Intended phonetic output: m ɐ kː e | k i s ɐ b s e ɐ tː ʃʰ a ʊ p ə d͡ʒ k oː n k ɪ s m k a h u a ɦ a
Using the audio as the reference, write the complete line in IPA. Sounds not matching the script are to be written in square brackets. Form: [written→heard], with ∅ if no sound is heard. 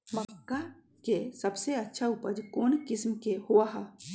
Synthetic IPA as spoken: m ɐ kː [e→a] | k [i→e] s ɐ b s e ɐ tː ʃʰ a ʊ p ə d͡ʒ k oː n k ɪ s m k [a→e] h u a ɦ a